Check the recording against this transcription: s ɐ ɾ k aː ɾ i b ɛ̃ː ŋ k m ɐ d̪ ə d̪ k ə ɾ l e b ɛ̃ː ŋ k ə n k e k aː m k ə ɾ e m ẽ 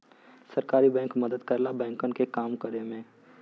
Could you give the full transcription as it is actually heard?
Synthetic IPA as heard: s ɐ ɾ k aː ɾ i b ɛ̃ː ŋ k m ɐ d̪ ə d̪ k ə ɾ l a b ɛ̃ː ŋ k ə n k e k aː m k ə ɾ e m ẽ